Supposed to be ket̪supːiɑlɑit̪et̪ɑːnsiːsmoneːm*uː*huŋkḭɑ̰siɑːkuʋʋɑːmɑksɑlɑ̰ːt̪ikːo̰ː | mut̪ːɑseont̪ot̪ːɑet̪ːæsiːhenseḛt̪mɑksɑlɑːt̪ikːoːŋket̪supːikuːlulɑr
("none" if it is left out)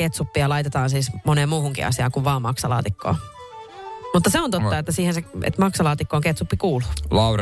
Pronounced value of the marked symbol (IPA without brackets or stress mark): uː